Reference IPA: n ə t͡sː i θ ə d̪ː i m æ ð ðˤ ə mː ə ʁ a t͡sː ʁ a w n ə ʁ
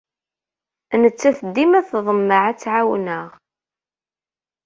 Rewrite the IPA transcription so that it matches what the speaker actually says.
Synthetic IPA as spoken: n ə t͡sː æ θ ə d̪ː i m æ θ ðˤ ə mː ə ʕ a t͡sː ʕ a w n ə ʁ